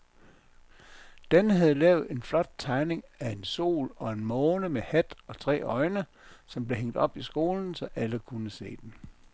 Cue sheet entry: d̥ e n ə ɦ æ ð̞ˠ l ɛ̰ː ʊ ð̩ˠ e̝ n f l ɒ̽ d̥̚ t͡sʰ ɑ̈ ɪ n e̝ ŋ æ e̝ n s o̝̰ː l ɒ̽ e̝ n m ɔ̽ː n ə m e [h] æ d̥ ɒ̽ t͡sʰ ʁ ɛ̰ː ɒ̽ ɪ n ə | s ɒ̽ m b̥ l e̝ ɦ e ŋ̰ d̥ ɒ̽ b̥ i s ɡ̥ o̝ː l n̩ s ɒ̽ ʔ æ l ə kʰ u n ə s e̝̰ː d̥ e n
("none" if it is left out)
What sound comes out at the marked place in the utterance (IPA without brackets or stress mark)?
h